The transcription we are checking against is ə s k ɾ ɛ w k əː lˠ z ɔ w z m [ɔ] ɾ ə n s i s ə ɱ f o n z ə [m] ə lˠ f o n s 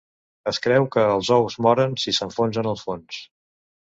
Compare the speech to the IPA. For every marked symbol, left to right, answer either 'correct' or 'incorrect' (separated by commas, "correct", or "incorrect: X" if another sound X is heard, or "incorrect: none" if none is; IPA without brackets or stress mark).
correct, incorrect: n